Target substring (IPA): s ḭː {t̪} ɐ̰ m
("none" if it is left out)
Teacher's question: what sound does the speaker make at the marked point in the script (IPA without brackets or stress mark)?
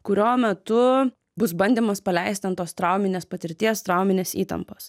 t̪